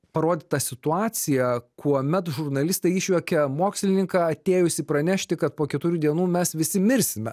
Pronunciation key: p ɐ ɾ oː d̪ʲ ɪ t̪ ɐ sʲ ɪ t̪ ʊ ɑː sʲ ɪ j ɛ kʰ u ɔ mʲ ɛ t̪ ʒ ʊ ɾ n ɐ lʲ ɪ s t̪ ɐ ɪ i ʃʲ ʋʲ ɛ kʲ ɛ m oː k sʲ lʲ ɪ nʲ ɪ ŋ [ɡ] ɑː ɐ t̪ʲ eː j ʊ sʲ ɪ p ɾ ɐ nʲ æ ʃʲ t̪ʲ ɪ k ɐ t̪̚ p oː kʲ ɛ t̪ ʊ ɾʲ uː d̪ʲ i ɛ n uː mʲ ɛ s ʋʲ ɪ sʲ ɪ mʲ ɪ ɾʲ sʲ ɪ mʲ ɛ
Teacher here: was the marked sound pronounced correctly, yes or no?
no